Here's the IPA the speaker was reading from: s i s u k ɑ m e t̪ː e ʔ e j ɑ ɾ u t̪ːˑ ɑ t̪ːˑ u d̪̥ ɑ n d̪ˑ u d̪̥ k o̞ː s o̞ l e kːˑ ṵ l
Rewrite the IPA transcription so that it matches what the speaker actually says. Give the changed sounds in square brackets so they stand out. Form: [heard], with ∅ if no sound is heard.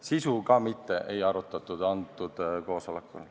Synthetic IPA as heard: s i s u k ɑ m [i] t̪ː e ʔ e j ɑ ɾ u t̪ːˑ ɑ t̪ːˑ u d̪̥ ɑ n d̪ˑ u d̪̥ k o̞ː s o̞ l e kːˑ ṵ l